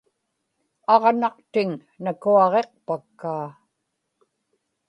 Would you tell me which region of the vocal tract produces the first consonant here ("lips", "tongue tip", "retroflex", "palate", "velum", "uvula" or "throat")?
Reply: uvula